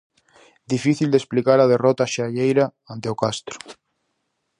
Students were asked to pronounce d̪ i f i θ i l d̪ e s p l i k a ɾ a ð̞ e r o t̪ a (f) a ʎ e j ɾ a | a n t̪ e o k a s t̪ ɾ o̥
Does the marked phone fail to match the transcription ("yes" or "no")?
yes